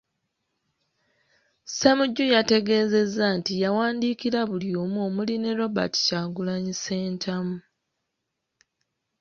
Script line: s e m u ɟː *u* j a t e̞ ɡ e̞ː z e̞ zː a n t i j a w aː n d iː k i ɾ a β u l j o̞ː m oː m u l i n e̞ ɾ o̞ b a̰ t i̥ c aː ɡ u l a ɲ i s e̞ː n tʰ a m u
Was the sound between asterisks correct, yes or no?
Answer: yes